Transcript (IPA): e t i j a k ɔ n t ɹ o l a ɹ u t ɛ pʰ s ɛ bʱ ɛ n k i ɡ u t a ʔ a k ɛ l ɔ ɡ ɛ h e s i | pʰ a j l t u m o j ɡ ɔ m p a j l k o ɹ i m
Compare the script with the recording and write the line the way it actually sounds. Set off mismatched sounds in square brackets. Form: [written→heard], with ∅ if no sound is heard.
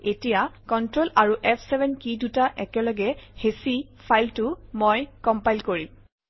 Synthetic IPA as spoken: e t i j a k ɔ n t ɹ o l a ɹ u [t→ʔ] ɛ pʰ s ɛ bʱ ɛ n k i [ɡ→d] u t a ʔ [a→ɛ] k ɛ l ɔ ɡ ɛ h e s i | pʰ a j l t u m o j [ɡ→k] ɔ m p a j l k o ɹ i m